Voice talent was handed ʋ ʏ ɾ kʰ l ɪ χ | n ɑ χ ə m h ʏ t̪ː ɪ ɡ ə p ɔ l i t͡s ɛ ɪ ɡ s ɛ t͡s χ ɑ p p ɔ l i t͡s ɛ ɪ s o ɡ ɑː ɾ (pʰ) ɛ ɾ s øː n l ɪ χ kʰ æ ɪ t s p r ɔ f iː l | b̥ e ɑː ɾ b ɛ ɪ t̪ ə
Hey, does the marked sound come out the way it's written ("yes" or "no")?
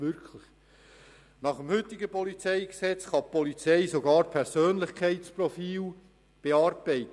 yes